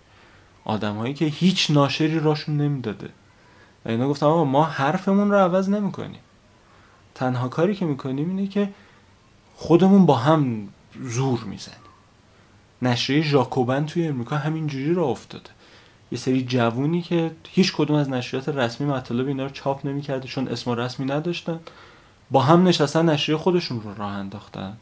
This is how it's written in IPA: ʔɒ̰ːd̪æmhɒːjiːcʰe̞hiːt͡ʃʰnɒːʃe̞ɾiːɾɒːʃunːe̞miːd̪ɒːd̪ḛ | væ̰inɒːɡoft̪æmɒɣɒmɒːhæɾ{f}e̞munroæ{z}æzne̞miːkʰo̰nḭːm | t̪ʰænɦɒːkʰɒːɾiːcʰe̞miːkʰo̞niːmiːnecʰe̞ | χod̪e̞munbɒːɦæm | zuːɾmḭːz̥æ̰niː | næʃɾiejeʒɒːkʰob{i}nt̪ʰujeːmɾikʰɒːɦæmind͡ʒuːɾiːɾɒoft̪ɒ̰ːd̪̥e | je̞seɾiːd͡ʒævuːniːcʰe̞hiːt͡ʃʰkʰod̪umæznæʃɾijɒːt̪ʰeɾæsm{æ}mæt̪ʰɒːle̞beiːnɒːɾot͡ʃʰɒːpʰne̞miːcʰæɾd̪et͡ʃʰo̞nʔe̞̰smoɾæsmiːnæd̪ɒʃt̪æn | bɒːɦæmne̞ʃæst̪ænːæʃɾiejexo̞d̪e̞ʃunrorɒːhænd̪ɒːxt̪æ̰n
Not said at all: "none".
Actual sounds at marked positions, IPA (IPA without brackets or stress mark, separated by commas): f, v, æ, i